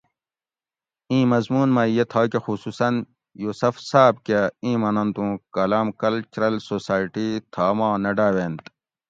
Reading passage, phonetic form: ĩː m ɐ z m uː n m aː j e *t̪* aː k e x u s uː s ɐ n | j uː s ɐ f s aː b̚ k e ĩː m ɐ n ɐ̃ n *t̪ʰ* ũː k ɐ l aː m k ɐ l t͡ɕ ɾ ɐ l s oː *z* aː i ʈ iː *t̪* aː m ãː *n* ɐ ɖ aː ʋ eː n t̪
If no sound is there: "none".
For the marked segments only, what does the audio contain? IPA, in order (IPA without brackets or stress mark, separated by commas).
t̪ʰ, t̪, s, t̪ʰ, n